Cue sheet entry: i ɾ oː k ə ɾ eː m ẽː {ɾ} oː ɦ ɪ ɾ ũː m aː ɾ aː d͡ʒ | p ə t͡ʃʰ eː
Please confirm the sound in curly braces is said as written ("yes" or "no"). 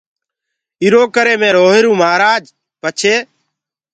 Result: yes